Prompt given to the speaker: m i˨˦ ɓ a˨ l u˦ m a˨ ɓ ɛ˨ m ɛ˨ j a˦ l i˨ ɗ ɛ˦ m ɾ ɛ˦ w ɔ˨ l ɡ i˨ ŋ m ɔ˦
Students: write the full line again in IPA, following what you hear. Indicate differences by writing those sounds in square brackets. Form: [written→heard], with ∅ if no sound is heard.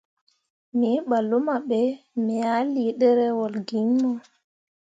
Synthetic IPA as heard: m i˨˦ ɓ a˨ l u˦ m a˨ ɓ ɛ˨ m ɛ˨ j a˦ l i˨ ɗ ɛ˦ [m→∅] ɾ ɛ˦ w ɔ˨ l ɡ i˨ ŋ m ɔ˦

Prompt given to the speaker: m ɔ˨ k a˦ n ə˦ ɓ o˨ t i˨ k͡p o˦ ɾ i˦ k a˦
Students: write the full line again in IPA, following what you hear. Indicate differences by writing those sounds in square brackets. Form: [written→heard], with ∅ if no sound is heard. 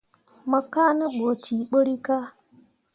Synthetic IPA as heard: m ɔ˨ k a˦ n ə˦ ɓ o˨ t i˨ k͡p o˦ ɾ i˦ k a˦

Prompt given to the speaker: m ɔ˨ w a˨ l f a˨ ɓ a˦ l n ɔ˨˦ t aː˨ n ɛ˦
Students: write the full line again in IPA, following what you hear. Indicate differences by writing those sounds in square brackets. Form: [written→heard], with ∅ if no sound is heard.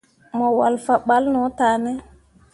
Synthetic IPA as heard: m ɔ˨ w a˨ l f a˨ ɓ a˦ l n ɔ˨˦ t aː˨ n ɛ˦

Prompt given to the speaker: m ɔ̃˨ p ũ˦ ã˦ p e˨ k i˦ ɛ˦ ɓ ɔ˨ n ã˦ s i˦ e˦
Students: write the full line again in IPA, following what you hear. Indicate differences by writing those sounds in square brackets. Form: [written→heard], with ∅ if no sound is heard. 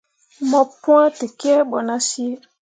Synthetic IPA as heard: m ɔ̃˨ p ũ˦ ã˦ [p→t] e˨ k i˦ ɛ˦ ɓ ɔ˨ n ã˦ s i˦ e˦

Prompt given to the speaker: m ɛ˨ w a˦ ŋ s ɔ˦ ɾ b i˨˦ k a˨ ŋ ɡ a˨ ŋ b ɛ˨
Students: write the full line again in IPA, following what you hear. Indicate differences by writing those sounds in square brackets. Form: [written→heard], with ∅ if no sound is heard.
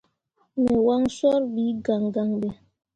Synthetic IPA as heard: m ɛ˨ w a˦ ŋ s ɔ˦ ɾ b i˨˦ [k→ɡ] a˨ ŋ ɡ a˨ ŋ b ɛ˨

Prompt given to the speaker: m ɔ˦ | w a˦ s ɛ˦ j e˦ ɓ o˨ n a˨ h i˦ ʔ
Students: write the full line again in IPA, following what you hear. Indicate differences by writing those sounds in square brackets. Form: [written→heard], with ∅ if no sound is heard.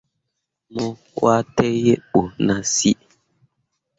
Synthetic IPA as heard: m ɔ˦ | w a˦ [s→t] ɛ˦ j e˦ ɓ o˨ n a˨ [h→s] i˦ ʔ

